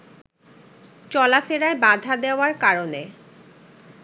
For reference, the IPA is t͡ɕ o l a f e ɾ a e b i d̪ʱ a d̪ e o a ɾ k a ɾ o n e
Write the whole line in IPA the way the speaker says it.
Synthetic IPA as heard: t͡ɕ ɔ l a f e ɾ a e b a d̪ʱ a d̪ e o a ɾ k a ɾ o n e